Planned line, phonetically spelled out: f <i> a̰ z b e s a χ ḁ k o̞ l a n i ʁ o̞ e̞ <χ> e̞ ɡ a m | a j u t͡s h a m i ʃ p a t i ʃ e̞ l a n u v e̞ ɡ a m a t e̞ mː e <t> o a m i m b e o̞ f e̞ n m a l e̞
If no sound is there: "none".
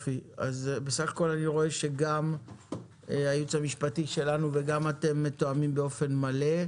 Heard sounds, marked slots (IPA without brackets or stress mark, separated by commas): i, ʃ, t